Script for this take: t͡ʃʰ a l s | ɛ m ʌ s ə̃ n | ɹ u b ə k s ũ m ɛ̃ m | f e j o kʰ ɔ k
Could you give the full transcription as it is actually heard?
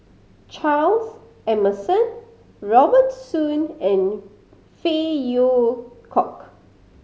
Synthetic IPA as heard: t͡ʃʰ a l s | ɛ m ə s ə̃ n | ɹ ɔ b ə t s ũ n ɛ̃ n | f e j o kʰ ɔ k